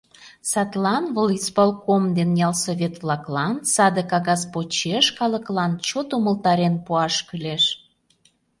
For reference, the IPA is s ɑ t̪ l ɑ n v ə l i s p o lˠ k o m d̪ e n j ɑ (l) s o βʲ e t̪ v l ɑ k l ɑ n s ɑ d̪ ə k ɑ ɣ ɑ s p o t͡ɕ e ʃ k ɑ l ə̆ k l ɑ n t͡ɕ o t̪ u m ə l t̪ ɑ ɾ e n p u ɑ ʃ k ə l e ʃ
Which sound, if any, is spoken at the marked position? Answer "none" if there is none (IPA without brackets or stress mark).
l